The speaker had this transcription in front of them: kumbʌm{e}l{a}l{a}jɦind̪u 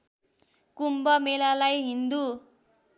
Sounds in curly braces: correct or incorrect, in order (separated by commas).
correct, correct, correct